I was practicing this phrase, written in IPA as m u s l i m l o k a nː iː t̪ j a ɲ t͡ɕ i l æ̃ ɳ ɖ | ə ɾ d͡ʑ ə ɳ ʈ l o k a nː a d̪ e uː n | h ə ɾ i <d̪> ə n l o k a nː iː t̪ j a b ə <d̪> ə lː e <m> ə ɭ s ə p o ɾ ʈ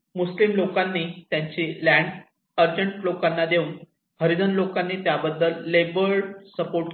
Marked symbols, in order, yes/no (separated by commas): yes, no, no